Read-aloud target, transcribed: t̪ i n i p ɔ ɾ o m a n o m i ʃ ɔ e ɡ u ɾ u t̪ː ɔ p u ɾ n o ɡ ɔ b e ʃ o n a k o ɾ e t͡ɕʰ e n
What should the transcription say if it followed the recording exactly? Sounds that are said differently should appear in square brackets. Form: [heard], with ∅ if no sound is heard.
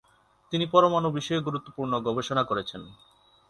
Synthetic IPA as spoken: t̪ i n i p ɔ ɾ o m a n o [b] i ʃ ɔ e ɡ u ɾ u t̪ː [o] p u ɾ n o ɡ ɔ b e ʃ o n a k o ɾ e t͡ɕʰ e n